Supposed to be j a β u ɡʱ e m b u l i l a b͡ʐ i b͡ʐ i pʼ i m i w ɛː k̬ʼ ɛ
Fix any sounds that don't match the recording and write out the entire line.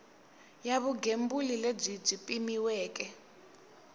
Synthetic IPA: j a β u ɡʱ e m b u l i l e b͡ʐ i b͡ʐ i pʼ i m i w ɛː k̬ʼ ɛ